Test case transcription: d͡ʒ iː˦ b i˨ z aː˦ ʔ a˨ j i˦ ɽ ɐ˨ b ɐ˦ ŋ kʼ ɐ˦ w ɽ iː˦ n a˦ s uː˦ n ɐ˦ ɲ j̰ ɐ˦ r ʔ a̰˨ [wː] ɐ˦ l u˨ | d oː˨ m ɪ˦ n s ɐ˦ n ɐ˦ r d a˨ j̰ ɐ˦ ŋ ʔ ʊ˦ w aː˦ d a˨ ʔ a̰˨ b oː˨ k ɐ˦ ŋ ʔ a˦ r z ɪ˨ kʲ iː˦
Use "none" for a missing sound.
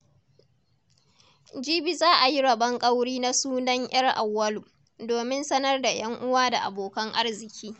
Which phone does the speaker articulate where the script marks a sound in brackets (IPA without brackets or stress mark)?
wː